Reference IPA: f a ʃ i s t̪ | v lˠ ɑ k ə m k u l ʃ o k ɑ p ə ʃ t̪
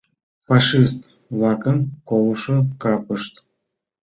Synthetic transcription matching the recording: f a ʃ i s t̪ | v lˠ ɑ k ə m k o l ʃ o k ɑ p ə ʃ t̪